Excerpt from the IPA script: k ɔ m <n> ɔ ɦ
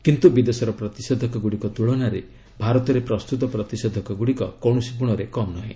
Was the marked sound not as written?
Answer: no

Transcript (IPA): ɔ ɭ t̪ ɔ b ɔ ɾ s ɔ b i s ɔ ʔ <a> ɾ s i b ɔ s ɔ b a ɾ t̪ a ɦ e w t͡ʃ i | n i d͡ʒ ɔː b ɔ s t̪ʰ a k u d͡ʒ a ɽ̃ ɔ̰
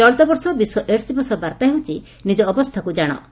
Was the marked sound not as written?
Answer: yes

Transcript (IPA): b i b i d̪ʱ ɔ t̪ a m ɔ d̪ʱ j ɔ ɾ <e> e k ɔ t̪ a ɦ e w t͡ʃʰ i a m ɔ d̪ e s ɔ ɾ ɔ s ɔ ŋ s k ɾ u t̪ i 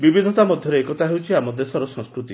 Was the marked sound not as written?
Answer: no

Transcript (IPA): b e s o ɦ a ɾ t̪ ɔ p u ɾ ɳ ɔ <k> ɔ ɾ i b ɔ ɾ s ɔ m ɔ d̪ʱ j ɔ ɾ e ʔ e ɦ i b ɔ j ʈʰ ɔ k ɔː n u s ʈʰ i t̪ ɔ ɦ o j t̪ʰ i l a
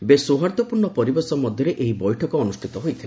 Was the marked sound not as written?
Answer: yes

